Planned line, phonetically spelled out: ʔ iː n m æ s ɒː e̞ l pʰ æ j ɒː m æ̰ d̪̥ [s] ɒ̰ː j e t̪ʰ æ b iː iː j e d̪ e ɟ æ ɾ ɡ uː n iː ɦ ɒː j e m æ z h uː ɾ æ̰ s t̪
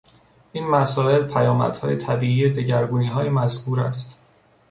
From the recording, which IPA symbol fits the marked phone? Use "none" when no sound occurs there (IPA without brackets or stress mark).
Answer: h